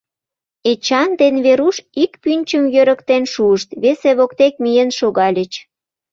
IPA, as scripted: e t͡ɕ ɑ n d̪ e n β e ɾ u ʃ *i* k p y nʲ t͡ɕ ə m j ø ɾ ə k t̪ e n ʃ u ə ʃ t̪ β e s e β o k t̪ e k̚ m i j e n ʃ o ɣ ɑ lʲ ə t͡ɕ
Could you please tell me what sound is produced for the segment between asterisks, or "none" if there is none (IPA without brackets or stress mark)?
i